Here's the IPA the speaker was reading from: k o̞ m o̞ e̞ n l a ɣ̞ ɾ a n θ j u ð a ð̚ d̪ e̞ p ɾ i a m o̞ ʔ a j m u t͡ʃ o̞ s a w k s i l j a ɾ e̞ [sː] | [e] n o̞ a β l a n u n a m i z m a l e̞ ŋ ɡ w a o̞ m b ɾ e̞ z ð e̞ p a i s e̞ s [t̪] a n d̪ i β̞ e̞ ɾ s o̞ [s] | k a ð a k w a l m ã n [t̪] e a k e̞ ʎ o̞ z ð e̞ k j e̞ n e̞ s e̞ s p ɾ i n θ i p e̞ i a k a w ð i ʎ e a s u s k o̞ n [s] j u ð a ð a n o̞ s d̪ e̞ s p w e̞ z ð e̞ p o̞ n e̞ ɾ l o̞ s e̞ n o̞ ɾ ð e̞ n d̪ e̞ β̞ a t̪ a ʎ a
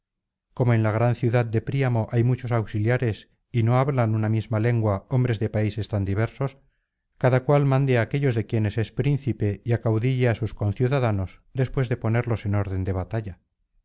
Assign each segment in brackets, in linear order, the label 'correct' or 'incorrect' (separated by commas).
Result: incorrect, incorrect, correct, correct, incorrect, incorrect